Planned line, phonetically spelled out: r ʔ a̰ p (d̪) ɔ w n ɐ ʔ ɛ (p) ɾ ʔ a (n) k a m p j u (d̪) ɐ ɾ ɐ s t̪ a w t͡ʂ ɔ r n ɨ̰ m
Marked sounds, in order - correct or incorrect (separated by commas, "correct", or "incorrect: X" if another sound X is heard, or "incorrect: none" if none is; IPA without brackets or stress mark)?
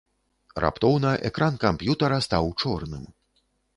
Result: incorrect: t̪, incorrect: k, correct, incorrect: t̪